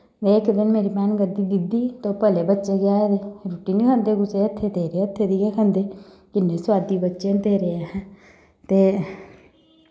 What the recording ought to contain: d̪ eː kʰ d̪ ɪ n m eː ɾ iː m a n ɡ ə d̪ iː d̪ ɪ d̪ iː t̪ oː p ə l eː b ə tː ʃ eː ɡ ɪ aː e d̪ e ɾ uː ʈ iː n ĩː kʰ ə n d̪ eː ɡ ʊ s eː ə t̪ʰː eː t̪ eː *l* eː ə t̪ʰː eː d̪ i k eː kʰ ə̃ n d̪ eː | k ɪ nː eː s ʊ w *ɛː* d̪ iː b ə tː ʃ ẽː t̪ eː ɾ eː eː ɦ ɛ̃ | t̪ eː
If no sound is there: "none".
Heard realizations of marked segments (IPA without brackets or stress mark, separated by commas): ɾ, aː